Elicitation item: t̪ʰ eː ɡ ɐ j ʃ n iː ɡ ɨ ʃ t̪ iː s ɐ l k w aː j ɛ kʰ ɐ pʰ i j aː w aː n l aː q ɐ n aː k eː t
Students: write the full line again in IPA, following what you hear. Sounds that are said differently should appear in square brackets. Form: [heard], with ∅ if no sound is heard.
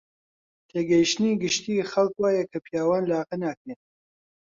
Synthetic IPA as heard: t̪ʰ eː ɡ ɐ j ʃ n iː ɡ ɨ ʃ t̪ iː [x] ɐ l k w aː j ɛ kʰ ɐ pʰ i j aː w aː n l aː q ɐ n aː k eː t

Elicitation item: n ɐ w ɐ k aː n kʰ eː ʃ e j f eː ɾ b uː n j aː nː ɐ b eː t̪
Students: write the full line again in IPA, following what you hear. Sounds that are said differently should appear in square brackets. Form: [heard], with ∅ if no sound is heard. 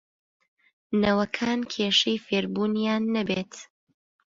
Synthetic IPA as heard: n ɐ w ɐ [kʰ] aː n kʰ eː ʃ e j f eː ɾ b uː n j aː nː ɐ b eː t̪

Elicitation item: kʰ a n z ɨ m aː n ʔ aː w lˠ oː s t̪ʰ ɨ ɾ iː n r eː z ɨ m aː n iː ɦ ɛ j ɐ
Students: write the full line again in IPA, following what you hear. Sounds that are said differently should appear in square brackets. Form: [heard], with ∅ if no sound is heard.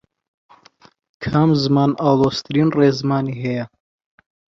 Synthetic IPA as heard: kʰ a [m] z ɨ m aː n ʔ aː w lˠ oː s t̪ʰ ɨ ɾ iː n r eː z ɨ m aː n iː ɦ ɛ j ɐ

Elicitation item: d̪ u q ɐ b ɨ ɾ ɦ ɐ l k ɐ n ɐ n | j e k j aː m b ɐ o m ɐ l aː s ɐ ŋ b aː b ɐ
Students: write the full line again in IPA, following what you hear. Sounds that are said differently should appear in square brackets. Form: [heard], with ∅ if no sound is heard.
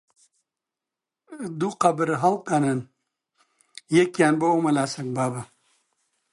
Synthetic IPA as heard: d̪ u q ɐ b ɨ ɾ ɦ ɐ l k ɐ n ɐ n | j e k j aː [n] b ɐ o m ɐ l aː s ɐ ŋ b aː b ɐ

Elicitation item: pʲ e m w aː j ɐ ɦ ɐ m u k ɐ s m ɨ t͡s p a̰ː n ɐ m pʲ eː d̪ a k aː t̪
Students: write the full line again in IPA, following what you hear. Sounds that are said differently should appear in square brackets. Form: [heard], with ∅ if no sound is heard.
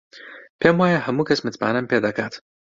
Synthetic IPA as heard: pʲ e m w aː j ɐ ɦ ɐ m u k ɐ s m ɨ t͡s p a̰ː n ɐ m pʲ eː d̪ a k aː t̪

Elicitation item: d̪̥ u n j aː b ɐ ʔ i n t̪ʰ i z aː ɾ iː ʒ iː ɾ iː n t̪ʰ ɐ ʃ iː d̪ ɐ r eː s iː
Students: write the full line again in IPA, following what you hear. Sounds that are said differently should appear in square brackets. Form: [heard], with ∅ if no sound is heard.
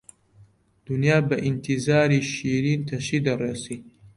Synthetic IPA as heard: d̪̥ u n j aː b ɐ ʔ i n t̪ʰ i z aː ɾ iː [ʃ] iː ɾ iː n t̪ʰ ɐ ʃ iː d̪ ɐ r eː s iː

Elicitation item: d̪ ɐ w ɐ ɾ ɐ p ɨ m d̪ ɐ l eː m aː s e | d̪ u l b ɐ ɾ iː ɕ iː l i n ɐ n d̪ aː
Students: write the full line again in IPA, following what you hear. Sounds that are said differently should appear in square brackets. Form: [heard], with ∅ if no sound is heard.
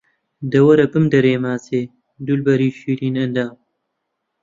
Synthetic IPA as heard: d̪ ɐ w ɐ ɾ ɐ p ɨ m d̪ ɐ [ɾ] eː m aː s e | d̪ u l b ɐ ɾ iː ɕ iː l i n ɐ n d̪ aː

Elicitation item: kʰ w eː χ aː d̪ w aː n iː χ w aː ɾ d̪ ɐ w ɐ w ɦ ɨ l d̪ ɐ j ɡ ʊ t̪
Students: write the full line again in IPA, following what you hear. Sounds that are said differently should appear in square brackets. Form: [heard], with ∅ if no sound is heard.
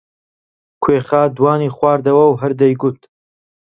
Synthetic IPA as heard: kʰ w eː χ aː d̪ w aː n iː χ w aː ɾ d̪ ɐ w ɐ w ɦ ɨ [ɾ] d̪ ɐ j ɡ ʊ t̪

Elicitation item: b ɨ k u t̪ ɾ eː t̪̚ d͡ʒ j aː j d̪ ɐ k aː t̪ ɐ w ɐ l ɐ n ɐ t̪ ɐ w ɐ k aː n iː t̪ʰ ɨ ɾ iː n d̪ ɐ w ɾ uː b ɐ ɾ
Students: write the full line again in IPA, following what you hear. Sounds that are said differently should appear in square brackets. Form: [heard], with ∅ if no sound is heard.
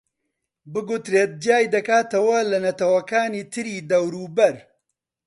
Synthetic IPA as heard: b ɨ [ɡ] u t̪ ɾ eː t̪̚ d͡ʒ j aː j d̪ ɐ k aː t̪ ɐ w ɐ l ɐ n ɐ t̪ ɐ w ɐ k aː n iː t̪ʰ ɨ ɾ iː [∅] d̪ ɐ w ɾ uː b ɐ ɾ

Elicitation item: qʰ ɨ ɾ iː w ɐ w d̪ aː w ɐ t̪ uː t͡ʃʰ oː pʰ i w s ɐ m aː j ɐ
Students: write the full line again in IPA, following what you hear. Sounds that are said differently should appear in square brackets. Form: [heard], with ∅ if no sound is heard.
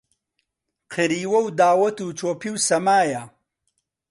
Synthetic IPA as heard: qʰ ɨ ɾ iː w ɐ w d̪ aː w ɐ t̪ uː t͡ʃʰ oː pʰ i w s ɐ m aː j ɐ

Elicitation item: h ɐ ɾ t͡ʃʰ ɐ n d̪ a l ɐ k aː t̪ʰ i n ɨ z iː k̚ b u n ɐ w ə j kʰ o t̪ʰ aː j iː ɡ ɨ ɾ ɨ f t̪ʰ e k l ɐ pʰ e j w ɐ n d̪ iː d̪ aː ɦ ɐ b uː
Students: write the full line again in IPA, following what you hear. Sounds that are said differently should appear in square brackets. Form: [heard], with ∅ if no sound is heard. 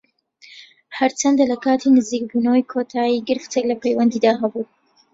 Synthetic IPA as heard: h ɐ ɾ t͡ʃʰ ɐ n d̪ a l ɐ k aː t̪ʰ i n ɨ z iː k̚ b u n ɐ w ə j kʰ o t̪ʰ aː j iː ɡ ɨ ɾ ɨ f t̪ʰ e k l ɐ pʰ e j w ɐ n d̪ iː d̪ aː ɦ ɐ b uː

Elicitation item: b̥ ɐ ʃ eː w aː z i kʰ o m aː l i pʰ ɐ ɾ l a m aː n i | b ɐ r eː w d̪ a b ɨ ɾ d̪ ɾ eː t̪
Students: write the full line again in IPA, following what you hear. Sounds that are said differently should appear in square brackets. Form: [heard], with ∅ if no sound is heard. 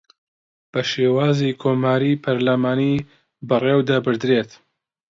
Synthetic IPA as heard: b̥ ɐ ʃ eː w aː z i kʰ o m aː [ɾ] i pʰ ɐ ɾ l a m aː n i | b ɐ r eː w d̪ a b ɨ ɾ d̪ ɾ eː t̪

